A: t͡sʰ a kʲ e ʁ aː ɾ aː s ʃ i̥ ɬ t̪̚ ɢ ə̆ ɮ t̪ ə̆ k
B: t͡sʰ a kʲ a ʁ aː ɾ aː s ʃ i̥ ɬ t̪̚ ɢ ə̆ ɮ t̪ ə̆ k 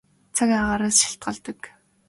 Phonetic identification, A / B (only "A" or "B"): B